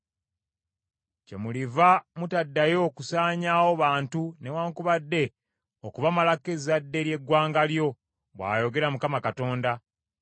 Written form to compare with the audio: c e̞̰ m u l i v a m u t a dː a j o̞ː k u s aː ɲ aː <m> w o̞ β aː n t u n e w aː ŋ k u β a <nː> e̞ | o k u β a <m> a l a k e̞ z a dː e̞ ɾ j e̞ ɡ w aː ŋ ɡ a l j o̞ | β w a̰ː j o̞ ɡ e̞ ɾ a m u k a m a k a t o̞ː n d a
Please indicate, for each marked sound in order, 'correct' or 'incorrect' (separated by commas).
incorrect, incorrect, correct